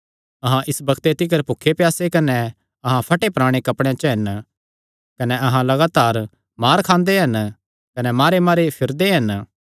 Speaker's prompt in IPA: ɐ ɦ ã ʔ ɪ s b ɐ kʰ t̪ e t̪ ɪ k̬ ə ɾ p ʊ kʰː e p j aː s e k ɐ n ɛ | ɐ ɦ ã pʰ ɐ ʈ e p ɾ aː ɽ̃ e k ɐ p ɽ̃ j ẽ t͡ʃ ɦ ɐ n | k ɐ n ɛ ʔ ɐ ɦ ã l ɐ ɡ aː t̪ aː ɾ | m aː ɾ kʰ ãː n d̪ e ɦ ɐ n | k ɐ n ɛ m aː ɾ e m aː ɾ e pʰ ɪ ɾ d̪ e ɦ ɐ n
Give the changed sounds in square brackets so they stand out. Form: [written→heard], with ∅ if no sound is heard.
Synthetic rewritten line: ɐ ɦ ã ʔ ɪ s b ɐ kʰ t̪ e t̪ ɪ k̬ ə ɾ p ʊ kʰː e p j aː s e k ɐ n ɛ | ɐ ɦ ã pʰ ɐ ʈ e p ɾ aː ɽ̃ e k ɐ p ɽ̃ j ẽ t͡ʃ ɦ ɐ n | k ɐ n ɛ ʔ ɐ ɦ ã l ɐ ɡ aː t̪ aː ɾ | m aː ɾ kʰ ãː n d̪ e ɦ ɐ n | k ɐ n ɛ m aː ɾ e m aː ɾ e pʰ ɪ ɾ d̪ e ɦ ɐ n

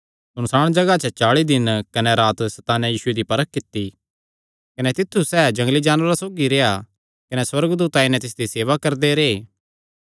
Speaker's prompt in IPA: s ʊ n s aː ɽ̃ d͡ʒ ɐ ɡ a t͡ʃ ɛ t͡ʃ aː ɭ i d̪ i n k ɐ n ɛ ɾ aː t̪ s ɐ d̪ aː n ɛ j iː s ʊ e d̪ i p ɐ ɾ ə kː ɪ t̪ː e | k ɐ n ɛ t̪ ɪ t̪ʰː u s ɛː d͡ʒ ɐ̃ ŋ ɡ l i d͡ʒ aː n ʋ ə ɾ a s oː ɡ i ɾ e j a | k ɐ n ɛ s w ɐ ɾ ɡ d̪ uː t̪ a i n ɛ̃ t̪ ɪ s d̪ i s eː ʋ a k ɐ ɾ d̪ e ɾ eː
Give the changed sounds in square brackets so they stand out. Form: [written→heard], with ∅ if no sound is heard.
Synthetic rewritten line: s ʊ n s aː ɽ̃ d͡ʒ ɐ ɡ a t͡ʃ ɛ t͡ʃ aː ɭ i d̪ [i→ɪ] n k ɐ n ɛ ɾ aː t̪ s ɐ [d̪→t̪] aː n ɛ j iː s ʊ e d̪ i p ɐ ɾ ə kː ɪ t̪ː [e→i] | k ɐ n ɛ t̪ ɪ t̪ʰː u s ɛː d͡ʒ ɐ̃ ŋ ɡ l i d͡ʒ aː n ʋ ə ɾ a s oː ɡ i ɾ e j a | k ɐ n ɛ s w ɐ ɾ ɡ d̪ uː t̪ a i n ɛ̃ t̪ ɪ s d̪ i s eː ʋ a k ɐ ɾ d̪ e ɾ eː

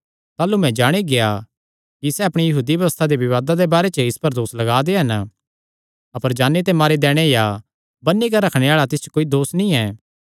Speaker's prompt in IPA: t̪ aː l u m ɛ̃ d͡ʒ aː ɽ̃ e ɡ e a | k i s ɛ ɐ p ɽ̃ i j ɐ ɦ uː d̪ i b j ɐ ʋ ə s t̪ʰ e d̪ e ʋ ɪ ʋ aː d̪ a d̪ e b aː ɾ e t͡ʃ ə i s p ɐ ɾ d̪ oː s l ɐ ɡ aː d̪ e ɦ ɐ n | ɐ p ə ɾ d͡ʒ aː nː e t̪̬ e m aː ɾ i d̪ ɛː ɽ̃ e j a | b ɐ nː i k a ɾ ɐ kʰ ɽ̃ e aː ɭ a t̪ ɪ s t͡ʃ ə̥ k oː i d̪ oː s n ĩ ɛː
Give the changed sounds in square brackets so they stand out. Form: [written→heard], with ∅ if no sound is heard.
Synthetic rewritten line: t̪ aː l u m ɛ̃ d͡ʒ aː ɽ̃ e ɡ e a | k i s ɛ ɐ p ɽ̃ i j ɐ ɦ uː d̪ i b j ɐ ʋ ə s t̪ʰ [e→a] d̪ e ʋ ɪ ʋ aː d̪ a d̪ e b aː ɾ e t͡ʃ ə [i→ɪ] s p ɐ ɾ d̪ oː s l ɐ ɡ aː d̪ e ɦ ɐ n | ɐ p ə ɾ d͡ʒ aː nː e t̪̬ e m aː ɾ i d̪ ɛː ɽ̃ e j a | b ɐ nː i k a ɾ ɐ kʰ ɽ̃ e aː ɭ a t̪ ɪ s t͡ʃ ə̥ k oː i d̪ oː s n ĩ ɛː

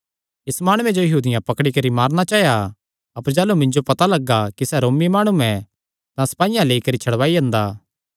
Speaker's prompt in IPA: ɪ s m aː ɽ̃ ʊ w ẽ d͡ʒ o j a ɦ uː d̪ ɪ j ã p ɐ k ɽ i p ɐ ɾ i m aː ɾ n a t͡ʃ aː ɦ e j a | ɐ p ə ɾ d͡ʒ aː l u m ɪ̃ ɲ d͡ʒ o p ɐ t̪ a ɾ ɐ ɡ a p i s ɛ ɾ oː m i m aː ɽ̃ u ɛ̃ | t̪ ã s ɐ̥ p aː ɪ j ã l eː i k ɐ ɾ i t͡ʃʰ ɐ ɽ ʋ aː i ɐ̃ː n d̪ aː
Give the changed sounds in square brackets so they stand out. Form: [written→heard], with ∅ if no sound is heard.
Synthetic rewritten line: ɪ s m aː ɽ̃ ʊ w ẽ d͡ʒ o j [a→ɐ] ɦ uː d̪ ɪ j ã p ɐ k ɽ i [p→k] ɐ ɾ i m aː ɾ n a t͡ʃ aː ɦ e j a | ɐ p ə ɾ d͡ʒ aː l u m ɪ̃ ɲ d͡ʒ o p ɐ t̪ a [ɾ→l] ɐ ɡ a [p→k] i s ɛ ɾ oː m i m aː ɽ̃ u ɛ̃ | t̪ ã s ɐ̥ p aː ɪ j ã l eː i k ɐ ɾ i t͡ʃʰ ɐ ɽ ʋ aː i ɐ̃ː n d̪ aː

